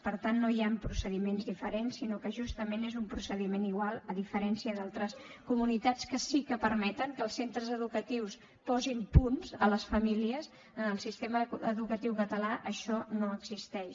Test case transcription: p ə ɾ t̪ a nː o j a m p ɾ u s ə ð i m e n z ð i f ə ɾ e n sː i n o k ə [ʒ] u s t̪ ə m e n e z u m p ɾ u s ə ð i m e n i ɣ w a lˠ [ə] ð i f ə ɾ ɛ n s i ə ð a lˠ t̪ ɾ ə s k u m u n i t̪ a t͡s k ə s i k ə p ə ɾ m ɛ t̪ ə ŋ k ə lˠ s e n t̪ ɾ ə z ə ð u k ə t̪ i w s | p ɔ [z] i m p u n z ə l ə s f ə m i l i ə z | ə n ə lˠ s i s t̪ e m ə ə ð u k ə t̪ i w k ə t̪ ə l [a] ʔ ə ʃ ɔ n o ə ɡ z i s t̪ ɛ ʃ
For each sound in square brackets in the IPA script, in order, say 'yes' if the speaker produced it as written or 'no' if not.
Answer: yes, yes, yes, yes

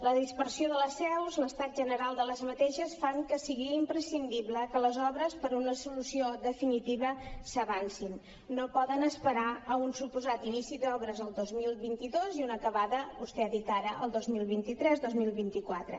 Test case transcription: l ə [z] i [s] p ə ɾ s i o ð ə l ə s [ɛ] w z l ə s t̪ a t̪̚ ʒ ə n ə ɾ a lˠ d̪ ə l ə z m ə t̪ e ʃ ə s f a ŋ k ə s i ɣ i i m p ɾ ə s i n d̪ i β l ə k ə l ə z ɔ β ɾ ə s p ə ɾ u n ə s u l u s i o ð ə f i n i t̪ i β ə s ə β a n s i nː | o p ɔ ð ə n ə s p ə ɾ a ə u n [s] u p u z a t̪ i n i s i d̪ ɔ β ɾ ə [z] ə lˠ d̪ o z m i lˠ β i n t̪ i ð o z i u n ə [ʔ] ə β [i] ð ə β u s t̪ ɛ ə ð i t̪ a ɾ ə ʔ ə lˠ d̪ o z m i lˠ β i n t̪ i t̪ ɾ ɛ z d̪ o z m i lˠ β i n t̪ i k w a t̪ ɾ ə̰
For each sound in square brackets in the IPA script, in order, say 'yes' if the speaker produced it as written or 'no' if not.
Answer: no, yes, yes, yes, yes, no, no

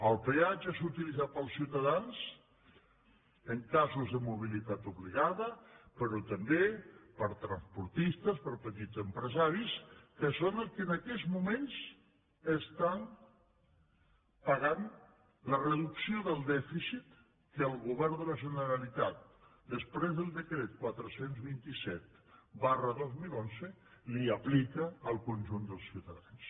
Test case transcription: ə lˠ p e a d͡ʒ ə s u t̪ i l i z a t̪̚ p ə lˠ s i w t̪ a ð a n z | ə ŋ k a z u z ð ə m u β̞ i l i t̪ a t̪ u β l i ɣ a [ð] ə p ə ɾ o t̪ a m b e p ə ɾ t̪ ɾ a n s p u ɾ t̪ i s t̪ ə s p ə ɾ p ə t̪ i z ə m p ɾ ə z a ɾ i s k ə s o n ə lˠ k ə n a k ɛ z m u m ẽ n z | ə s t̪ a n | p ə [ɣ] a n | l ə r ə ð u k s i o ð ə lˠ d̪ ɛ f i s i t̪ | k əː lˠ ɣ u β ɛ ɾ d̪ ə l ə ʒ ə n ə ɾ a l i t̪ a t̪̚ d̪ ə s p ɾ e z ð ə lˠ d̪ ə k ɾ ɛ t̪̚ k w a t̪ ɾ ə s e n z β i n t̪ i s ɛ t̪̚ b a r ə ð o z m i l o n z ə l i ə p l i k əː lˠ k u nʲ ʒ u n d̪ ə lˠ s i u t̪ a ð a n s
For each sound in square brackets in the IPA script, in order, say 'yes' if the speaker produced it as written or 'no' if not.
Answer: yes, yes

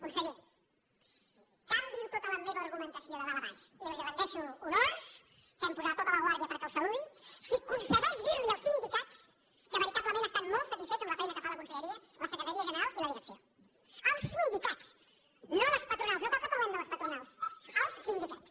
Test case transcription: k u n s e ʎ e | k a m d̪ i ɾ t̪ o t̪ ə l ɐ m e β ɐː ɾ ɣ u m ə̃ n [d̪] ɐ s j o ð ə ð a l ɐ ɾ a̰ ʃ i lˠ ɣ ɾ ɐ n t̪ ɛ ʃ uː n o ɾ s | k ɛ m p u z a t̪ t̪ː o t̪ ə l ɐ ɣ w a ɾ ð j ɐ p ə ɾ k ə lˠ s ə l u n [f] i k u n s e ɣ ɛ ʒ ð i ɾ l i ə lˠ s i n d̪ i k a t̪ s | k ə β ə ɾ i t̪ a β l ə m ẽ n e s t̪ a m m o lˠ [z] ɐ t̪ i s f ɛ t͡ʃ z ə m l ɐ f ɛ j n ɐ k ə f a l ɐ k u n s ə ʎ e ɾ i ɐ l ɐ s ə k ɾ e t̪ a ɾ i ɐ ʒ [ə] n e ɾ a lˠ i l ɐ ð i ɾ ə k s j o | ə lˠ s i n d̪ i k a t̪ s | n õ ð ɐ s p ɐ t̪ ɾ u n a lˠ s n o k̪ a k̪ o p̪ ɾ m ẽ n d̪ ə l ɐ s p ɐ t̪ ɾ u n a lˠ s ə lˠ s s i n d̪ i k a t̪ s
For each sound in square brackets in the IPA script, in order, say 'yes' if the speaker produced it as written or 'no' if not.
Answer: no, no, no, yes

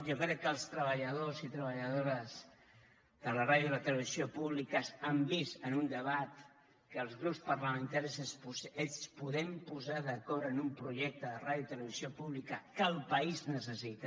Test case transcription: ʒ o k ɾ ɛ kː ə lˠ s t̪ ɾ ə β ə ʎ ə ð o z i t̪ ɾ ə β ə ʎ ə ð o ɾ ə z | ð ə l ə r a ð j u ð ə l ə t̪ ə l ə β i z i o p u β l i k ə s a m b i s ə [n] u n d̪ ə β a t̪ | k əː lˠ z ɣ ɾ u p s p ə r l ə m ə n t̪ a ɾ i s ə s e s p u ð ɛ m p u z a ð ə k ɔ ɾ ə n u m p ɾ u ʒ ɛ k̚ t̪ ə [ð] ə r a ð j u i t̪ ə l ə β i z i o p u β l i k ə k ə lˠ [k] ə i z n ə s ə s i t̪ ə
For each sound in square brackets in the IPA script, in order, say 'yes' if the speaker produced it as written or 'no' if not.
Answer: yes, yes, no

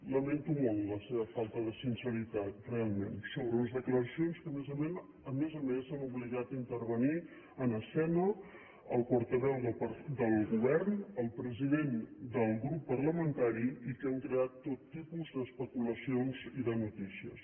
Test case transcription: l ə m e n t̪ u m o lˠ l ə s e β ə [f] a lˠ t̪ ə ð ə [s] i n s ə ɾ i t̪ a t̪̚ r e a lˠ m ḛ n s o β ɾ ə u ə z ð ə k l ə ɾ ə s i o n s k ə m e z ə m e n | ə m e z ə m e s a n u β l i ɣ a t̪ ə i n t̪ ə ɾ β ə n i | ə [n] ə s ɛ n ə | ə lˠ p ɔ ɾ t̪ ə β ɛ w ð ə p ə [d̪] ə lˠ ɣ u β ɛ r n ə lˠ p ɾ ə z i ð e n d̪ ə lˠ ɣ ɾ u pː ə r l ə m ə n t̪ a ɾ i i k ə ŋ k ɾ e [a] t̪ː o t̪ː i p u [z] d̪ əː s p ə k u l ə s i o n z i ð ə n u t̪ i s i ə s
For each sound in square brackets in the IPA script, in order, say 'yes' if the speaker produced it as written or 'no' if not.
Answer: yes, yes, yes, yes, yes, yes

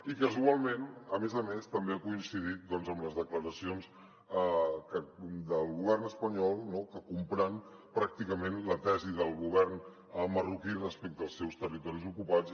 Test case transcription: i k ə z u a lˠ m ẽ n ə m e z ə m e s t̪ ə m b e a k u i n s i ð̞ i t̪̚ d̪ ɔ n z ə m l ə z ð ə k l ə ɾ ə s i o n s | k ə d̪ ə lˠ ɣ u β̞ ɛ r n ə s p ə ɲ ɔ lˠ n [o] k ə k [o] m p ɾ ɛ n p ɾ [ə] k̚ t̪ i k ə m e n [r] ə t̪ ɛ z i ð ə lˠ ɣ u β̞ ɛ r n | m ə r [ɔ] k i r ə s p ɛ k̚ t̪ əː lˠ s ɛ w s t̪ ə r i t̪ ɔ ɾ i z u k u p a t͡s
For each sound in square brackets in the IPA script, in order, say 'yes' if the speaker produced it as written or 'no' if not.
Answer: yes, no, no, no, no

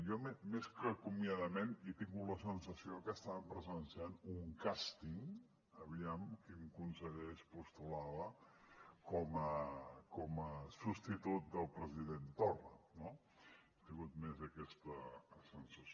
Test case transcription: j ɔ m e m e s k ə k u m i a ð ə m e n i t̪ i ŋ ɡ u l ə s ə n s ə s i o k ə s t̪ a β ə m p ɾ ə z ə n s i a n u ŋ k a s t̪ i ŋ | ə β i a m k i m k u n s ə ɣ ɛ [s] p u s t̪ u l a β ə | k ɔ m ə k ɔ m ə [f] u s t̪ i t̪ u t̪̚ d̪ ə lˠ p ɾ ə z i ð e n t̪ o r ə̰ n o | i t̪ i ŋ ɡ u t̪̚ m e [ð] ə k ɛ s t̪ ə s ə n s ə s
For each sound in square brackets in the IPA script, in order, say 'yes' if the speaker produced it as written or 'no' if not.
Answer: no, no, no

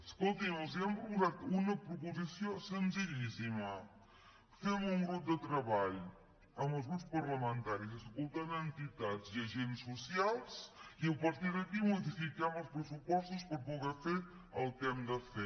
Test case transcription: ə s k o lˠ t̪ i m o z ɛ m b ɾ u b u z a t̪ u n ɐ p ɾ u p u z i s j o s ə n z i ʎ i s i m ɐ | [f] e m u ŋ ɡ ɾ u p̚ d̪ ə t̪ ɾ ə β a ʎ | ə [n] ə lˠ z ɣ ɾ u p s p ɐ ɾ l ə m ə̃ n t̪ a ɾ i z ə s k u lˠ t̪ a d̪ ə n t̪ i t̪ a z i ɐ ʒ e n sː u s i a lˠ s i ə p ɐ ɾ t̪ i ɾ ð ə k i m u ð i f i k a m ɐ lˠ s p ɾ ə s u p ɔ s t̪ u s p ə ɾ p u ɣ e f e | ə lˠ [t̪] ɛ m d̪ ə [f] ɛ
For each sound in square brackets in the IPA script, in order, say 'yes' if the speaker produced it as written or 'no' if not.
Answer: yes, no, yes, yes

